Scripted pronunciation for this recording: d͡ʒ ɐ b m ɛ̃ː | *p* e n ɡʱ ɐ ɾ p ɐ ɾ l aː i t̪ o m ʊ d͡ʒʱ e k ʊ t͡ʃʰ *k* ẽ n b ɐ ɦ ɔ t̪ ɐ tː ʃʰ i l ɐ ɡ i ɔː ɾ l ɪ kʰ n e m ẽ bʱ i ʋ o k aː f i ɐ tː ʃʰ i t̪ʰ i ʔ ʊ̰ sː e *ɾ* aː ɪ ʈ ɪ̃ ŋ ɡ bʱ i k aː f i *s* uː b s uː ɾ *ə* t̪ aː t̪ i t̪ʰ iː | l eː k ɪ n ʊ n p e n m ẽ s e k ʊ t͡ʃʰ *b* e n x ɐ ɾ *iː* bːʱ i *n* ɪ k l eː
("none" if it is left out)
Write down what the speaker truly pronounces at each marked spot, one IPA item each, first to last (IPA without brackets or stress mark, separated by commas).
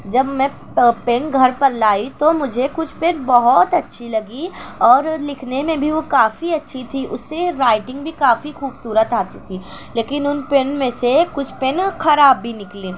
p, p, ɾ, x, ə, p, aː, n